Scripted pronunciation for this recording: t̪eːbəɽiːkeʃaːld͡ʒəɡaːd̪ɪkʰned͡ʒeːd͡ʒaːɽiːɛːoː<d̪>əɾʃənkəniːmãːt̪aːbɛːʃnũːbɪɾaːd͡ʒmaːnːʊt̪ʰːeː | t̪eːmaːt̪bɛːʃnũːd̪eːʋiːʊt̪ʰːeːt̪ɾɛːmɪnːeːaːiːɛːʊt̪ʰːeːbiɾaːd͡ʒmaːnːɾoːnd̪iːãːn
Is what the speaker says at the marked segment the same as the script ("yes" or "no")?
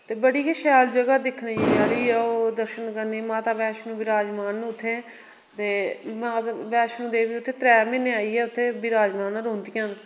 yes